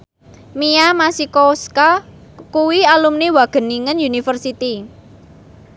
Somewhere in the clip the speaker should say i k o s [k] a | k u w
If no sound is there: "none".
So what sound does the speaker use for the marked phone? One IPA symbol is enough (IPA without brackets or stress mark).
k